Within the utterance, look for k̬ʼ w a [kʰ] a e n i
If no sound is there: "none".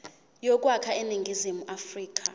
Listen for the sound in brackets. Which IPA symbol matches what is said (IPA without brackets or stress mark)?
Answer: kʰ